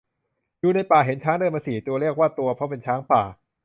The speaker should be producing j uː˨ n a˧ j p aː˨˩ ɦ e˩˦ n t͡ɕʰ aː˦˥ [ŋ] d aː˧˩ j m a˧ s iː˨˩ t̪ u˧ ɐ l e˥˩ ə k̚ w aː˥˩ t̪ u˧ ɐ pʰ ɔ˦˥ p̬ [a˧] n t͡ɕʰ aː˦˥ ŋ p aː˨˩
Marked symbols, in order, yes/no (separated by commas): yes, no